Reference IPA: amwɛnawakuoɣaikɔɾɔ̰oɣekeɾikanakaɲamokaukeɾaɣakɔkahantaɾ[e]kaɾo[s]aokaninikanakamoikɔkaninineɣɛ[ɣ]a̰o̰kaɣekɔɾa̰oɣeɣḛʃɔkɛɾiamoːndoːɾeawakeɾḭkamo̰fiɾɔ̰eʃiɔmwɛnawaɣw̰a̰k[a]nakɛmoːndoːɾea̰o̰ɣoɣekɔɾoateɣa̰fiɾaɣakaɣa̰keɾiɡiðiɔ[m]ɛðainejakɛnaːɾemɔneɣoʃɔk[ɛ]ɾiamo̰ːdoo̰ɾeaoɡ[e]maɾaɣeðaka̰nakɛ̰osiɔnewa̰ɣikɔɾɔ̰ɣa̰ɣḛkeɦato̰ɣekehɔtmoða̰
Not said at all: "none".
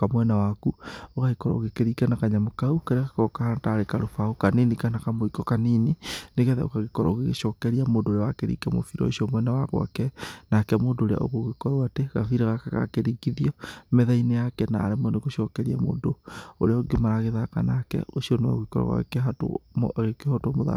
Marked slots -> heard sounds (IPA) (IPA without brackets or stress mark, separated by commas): e, f, ð, ɛ, m, ɛ, e